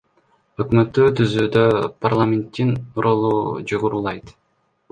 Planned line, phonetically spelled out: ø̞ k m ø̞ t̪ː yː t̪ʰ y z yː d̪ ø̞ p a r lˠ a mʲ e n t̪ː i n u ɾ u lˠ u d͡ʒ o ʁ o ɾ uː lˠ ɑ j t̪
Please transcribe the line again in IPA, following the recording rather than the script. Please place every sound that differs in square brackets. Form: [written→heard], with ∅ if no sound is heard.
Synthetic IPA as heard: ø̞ k m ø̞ t̪ː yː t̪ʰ y z yː d̪ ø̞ p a r lˠ a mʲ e n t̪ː i n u ɾ [u→o] lˠ u d͡ʒ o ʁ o ɾ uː lˠ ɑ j t̪